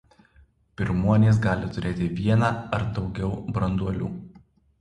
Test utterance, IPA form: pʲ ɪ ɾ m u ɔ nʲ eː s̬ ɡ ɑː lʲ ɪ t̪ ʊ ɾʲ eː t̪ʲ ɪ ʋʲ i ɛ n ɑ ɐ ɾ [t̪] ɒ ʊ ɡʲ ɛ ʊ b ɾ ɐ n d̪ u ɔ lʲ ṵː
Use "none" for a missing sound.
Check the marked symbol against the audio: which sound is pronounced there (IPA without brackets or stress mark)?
d̪